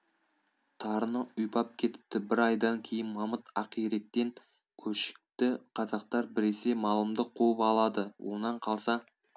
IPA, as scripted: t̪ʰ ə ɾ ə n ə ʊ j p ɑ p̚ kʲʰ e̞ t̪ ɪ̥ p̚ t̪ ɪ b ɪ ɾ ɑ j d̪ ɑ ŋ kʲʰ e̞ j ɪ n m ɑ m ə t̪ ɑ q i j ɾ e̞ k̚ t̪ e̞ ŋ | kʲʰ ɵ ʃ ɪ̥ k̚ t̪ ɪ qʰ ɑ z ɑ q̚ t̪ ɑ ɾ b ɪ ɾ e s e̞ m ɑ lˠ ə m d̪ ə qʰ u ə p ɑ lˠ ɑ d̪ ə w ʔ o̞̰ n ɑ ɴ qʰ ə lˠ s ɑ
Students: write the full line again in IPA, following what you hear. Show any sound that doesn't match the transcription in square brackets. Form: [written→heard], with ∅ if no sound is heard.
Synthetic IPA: t̪ʰ [ə→ɑ] ɾ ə n ə ʊ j p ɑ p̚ kʲʰ e̞ t̪ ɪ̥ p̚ t̪ ɪ b ɪ ɾ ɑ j d̪ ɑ ŋ kʲʰ e̞ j ɪ n m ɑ m ə t̪ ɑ q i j ɾ e̞ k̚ t̪ e̞ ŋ | kʲʰ ɵ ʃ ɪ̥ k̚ t̪ ɪ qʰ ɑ z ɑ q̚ t̪ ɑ ɾ b ɪ ɾ e s e̞ m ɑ lˠ ə m d̪ ə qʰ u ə p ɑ lˠ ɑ d̪ ə w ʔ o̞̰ n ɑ ɴ qʰ [ə→ɑ] lˠ s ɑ

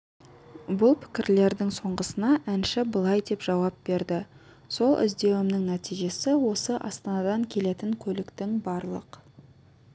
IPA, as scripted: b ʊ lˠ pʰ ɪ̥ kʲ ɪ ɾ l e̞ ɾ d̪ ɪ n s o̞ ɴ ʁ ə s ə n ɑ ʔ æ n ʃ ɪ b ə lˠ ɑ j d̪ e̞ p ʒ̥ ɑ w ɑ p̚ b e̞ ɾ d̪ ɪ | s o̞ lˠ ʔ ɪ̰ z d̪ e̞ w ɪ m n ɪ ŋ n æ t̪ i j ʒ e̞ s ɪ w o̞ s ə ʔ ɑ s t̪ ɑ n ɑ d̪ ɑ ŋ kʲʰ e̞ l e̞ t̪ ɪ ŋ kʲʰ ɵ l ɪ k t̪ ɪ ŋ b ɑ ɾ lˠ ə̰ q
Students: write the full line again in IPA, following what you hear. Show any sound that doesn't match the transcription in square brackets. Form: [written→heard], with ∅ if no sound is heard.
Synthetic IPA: b ʊ lˠ pʰ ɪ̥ kʲ ɪ ɾ l e̞ ɾ d̪ ɪ [n→ŋ] s o̞ ɴ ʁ ə s ə n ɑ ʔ æ n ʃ ɪ b ə lˠ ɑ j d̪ e̞ p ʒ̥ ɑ w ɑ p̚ b e̞ ɾ d̪ ɪ | s o̞ lˠ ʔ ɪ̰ z d̪ e̞ w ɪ m n ɪ ŋ n æ t̪ i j ʒ e̞ s ɪ w o̞ s ə ʔ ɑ s t̪ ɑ n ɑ d̪ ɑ ŋ kʲʰ e̞ l e̞ t̪ ɪ ŋ kʲʰ ɵ l ɪ k t̪ ɪ ŋ b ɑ ɾ lˠ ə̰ q

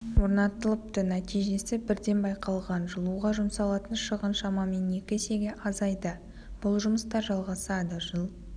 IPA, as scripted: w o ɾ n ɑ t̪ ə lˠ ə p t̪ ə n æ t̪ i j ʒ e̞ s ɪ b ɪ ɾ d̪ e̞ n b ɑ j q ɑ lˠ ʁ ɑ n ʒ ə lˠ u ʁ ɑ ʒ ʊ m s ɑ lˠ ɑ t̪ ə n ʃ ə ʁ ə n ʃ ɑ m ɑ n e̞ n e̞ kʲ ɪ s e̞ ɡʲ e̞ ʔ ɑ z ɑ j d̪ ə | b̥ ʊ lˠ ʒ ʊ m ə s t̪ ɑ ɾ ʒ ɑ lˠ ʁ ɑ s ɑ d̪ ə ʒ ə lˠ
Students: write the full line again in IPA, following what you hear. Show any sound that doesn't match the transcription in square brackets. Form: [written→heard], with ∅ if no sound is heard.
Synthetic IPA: w o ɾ n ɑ t̪ ə lˠ ə p t̪ ə n æ t̪ i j ʒ e̞ s ɪ b ɪ ɾ d̪ e̞ n b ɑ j q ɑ lˠ ʁ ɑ n ʒ ə lˠ u ʁ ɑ ʒ ʊ m s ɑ lˠ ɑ t̪ ə n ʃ ə ʁ ə n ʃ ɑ m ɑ [n→m] e̞ n e̞ kʲ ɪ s e̞ ɡʲ e̞ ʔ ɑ z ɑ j d̪ ə | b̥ ʊ lˠ ʒ ʊ m ə s t̪ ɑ ɾ ʒ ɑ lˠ ʁ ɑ s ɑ d̪ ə ʒ ə lˠ

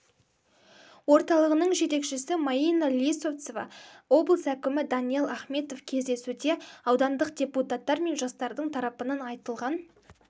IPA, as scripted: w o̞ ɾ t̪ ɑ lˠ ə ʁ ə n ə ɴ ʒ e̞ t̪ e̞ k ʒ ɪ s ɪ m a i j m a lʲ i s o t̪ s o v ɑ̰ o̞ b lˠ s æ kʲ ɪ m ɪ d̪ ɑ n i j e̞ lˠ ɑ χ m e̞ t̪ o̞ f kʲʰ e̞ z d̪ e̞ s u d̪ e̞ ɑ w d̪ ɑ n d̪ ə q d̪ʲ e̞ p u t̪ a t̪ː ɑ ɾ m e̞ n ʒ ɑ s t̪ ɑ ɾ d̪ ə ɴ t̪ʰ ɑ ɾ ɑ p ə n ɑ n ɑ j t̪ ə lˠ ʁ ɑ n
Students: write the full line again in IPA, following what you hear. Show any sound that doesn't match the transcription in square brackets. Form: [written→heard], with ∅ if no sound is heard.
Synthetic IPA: w o̞ ɾ t̪ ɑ lˠ ə ʁ ə n ə ɴ ʒ e̞ t̪ e̞ k [ʒ→ʃ] ɪ s ɪ m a i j [m→n] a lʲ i s o t̪ s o v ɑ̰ o̞ b lˠ s æ kʲ ɪ m ɪ d̪ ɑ n i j e̞ lˠ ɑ χ m e̞ t̪ o̞ f kʲʰ e̞ z d̪ e̞ s u d̪ e̞ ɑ w d̪ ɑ n d̪ ə q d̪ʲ e̞ p u t̪ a t̪ː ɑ ɾ m e̞ n ʒ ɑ s t̪ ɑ ɾ d̪ ə ɴ t̪ʰ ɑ ɾ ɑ p ə n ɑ n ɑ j t̪ ə lˠ ʁ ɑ n

